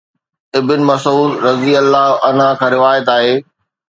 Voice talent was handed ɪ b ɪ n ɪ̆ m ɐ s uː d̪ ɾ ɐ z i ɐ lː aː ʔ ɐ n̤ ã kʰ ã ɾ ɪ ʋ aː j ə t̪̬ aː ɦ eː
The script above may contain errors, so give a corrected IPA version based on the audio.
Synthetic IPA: ɪ b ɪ n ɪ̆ m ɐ s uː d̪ ɾ ɐ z i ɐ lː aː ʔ ɐ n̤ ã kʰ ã ɾ ɪ ʋ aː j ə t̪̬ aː ɦ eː

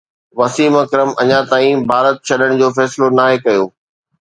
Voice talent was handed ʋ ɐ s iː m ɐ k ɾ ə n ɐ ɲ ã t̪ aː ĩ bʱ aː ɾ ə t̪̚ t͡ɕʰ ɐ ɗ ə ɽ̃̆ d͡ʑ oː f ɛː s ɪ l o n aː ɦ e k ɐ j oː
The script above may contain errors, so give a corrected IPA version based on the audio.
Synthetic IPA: ʋ ɐ s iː m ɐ k ɾ ə m ɐ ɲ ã t̪ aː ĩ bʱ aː ɾ ə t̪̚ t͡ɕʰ ɐ ɗ ə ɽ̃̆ d͡ʑ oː f ɛː s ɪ l o n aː ɦ e k ɐ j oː

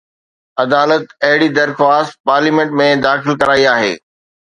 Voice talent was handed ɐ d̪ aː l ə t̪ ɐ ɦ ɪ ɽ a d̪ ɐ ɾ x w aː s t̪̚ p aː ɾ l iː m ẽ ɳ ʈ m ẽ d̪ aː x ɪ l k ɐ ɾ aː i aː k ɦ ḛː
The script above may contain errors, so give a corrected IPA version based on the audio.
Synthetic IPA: ɐ d̪ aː l ə t̪ ɐ ɦ ɪ ɽ i d̪ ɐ ɾ x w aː s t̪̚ p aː ɾ l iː m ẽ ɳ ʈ m ẽ d̪ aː x ɪ l k ɐ ɾ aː i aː ɦ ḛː

